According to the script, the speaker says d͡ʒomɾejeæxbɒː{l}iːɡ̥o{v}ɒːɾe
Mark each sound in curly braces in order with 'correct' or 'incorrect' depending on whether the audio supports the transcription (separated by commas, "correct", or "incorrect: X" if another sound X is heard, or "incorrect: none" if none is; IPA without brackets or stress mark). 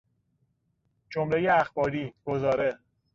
incorrect: ɾ, incorrect: z